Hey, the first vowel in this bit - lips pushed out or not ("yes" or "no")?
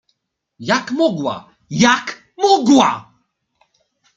no